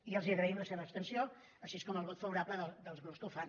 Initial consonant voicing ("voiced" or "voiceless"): voiced